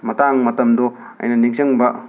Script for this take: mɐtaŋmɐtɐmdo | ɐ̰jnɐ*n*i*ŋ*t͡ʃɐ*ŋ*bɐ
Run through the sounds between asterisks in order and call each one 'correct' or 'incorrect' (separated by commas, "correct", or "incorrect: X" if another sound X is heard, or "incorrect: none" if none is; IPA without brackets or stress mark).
correct, correct, correct